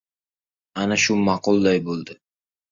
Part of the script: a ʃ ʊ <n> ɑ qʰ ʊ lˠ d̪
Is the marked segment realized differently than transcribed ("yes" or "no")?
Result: yes